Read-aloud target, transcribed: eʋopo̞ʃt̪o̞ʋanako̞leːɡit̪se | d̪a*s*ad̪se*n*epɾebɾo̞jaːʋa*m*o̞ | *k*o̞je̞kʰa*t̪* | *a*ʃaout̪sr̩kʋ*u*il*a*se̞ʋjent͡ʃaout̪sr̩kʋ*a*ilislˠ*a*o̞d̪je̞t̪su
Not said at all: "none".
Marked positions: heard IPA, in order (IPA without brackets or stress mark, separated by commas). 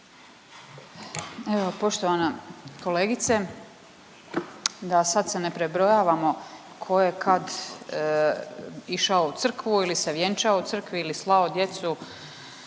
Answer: s, n, m, kʰ, d̪, i, u, i, i, a